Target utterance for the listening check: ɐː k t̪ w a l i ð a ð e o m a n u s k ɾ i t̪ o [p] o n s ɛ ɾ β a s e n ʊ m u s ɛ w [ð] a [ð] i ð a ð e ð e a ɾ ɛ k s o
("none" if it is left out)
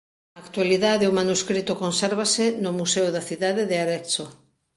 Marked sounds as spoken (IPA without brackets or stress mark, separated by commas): k, ð, θ